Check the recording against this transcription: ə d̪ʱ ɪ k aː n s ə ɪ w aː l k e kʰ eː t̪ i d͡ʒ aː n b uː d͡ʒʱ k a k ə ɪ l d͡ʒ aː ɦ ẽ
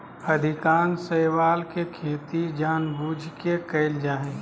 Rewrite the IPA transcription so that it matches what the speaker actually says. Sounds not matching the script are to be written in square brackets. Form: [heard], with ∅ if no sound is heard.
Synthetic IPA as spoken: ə d̪ʱ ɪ k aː n s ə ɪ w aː l k e kʰ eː t̪ i d͡ʒ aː n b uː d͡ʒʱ k [e] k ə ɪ l d͡ʒ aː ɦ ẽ